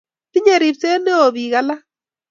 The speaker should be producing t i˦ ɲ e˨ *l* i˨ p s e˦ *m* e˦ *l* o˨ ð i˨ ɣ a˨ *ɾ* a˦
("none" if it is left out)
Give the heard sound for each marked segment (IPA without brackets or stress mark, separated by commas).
ɾ, n, none, l